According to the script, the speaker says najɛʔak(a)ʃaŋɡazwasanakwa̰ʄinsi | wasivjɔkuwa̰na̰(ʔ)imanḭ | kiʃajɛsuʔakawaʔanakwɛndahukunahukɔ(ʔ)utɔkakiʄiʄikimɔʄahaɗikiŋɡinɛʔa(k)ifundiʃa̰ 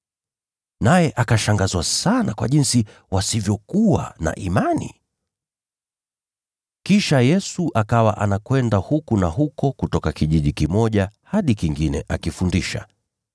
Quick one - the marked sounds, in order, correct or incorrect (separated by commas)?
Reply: correct, correct, incorrect, correct